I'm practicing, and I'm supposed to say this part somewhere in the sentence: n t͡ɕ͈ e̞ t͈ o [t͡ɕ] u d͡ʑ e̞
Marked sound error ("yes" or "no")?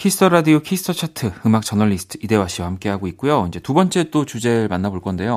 no